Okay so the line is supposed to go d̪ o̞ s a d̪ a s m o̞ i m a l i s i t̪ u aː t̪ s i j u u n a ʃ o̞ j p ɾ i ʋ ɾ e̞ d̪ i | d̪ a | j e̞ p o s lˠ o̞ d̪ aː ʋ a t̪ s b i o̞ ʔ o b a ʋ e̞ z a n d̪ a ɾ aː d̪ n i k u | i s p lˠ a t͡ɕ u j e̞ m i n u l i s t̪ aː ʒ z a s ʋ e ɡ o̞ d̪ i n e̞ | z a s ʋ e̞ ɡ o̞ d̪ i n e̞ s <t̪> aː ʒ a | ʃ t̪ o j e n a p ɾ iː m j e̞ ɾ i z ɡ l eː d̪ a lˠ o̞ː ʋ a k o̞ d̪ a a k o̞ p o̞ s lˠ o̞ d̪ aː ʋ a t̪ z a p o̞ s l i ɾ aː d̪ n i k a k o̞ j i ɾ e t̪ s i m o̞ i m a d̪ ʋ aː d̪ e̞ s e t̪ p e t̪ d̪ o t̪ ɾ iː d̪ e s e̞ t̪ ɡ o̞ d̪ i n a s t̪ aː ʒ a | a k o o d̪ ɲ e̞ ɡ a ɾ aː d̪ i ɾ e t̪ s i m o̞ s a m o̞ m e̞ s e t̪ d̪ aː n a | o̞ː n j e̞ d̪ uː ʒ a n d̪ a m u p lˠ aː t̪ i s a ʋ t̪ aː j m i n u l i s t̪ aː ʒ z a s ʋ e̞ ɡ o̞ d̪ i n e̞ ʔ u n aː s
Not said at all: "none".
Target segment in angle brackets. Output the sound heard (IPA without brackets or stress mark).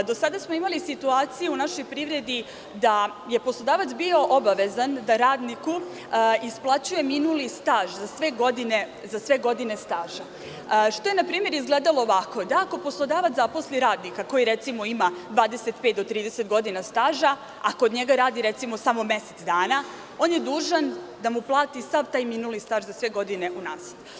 t̪